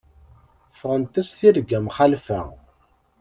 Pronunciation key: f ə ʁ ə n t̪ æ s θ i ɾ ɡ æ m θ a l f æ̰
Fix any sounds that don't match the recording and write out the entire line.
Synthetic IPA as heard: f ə ʁ ə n t̪ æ s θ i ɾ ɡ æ m χ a l f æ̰